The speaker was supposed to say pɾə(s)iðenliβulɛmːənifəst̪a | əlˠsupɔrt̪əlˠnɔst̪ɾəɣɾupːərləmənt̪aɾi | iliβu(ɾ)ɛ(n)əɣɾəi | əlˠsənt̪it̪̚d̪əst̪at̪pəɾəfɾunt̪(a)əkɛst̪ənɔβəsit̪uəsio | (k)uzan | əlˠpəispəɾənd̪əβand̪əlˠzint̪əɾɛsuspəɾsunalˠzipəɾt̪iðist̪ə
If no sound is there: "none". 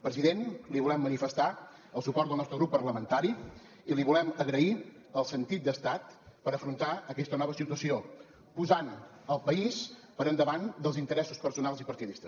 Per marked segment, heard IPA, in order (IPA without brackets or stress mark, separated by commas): z, l, m, a, p